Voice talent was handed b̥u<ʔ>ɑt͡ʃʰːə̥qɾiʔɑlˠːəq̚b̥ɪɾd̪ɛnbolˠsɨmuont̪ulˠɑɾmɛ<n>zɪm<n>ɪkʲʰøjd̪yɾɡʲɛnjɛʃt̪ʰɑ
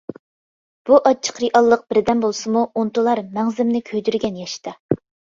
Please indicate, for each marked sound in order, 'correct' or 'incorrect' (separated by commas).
correct, incorrect, correct